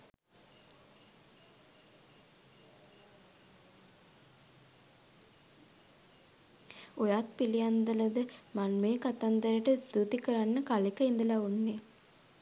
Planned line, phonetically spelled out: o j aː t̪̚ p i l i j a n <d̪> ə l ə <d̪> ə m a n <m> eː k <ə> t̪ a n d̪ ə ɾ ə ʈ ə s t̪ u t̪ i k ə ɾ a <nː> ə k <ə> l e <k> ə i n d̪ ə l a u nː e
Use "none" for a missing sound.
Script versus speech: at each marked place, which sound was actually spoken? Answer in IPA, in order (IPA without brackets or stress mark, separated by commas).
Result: d̪, d̪, m, a, nː, a, k